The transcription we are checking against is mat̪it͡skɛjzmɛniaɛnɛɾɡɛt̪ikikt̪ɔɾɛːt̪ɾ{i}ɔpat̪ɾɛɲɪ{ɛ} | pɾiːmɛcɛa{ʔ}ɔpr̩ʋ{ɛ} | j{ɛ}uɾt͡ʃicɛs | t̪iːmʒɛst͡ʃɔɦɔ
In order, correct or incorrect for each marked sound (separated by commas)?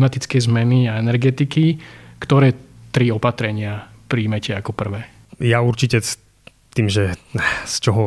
correct, incorrect, incorrect, incorrect, incorrect